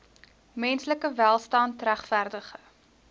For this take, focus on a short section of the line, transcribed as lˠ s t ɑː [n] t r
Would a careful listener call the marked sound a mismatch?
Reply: no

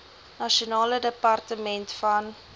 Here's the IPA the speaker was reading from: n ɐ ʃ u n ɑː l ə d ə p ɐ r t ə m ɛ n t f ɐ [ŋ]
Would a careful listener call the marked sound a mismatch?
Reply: yes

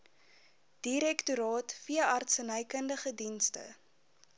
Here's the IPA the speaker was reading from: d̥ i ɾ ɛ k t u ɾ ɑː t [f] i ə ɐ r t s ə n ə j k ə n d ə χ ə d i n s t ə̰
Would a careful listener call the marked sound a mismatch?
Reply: no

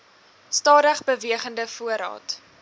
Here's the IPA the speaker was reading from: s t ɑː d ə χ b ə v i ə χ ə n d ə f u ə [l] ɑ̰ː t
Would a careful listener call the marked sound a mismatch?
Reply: yes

